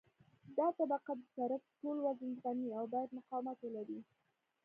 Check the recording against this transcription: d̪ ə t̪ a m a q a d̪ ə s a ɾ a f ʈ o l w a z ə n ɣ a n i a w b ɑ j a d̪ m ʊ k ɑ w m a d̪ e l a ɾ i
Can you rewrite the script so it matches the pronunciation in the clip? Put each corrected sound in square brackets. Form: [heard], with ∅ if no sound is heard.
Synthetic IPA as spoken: d̪ [ɑ] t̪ a [b] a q a d̪ ə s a ɾ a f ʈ o l w a z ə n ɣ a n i a w b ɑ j a d̪ m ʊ [q] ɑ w m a [t̪] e l a ɾ i